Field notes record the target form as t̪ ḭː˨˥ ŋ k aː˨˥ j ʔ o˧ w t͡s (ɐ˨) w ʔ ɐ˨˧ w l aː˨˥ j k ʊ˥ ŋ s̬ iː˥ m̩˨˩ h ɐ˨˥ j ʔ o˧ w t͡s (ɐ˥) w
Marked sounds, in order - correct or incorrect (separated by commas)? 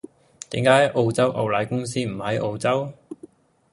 incorrect, correct